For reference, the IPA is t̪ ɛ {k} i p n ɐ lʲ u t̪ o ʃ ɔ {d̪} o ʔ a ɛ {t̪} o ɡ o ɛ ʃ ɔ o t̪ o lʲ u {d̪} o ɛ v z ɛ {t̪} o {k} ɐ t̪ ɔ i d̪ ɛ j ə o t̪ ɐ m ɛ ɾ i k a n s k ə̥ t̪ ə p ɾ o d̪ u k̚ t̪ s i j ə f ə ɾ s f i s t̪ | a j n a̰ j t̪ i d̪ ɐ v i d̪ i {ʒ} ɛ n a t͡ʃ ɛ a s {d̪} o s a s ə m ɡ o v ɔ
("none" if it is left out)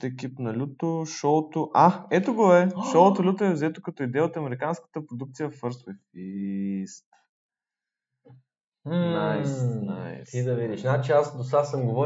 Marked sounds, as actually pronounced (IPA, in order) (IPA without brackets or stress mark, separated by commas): k, t̪, t̪, t̪, t̪, k, ʃ, d̪